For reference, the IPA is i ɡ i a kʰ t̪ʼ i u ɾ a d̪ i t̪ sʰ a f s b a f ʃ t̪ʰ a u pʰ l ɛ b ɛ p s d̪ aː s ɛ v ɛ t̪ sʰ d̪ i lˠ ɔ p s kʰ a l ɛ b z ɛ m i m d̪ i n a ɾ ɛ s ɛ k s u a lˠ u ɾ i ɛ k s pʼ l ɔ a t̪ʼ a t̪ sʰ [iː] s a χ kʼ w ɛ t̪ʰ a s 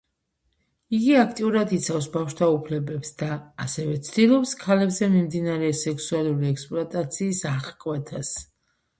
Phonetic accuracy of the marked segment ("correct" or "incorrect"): correct